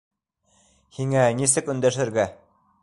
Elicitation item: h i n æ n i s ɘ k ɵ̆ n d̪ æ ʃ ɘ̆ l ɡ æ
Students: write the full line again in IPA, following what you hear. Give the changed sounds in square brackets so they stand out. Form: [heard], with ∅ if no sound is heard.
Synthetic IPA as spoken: h i [ŋ] æ n i s ɘ k ɵ̆ n d̪ æ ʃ ɘ̆ [ɾ] ɡ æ